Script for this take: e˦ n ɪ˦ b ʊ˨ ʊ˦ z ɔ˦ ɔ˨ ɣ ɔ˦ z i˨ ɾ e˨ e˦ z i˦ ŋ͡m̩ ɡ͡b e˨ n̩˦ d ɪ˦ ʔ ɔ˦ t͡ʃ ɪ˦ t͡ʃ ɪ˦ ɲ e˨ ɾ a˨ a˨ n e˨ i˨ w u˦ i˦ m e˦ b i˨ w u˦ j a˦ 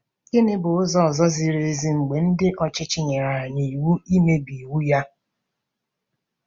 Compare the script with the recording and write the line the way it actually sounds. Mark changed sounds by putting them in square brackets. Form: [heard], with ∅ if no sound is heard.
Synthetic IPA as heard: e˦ n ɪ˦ b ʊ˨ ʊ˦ z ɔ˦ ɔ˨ [z] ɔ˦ z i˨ ɾ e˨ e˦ z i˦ ŋ͡m̩ ɡ͡b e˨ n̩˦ d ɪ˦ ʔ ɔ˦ t͡ʃ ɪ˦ t͡ʃ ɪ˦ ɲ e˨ ɾ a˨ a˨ [ɲ] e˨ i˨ w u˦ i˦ m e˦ b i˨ w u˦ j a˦